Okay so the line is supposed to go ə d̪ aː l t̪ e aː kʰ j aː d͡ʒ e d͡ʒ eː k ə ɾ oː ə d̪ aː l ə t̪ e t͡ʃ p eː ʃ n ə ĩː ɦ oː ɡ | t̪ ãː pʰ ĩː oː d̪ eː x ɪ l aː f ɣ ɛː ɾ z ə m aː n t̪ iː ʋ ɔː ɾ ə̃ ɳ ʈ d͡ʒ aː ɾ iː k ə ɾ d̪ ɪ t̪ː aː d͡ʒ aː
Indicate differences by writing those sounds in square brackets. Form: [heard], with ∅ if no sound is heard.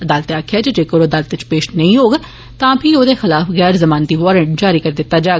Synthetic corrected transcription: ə d̪ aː l t̪ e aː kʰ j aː d͡ʒ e d͡ʒ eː k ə ɾ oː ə d̪ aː l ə t̪ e t͡ʃ p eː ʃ n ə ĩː ɦ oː ɡ | t̪ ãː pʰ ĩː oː d̪ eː x ɪ l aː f ɣ ɛː ɾ z ə m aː n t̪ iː ʋ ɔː ɾ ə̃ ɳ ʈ d͡ʒ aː ɾ iː k ə ɾ d̪ ɪ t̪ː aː d͡ʒ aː